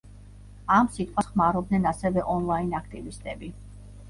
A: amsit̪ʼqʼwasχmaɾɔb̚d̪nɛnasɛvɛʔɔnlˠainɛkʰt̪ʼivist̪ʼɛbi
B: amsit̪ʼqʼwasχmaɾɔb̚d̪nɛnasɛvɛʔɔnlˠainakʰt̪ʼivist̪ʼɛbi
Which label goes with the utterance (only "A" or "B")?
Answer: B